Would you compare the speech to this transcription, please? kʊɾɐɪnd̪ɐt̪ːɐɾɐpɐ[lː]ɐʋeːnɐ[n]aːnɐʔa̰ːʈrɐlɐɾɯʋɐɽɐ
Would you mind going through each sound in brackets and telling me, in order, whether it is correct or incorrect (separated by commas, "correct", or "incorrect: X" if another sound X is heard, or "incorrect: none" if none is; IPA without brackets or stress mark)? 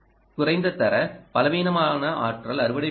incorrect: l, incorrect: m